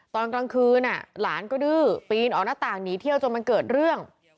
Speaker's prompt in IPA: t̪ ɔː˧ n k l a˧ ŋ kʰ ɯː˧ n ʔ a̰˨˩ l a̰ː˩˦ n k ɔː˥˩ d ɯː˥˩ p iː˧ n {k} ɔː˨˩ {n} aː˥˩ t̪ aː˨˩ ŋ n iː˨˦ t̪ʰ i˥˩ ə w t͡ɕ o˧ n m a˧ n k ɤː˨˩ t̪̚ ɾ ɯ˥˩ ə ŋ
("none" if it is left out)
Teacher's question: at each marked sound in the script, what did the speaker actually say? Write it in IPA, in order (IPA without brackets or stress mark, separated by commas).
ʔ, n